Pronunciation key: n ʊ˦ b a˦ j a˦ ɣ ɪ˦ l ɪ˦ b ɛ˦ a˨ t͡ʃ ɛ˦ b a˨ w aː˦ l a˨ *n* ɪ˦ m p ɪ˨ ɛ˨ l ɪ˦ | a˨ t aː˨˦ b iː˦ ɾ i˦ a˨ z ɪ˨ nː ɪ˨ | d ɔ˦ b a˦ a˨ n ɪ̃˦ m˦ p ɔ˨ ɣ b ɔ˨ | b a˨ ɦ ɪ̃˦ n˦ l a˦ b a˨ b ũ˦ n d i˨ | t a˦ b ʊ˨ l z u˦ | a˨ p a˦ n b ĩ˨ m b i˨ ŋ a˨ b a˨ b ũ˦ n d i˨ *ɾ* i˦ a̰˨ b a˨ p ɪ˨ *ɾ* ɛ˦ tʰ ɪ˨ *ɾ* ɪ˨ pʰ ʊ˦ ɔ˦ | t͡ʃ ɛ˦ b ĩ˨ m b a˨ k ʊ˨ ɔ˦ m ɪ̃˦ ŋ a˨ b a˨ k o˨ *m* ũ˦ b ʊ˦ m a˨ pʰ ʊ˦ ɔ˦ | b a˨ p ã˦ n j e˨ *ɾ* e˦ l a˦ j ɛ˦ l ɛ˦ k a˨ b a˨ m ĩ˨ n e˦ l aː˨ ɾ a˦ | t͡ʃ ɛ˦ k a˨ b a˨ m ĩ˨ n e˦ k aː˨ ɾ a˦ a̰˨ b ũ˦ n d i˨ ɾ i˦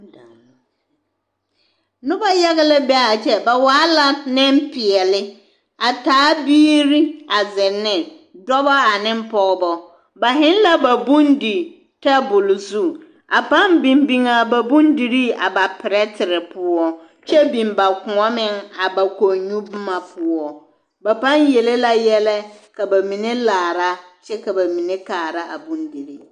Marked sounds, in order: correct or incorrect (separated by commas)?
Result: correct, correct, correct, correct, incorrect, incorrect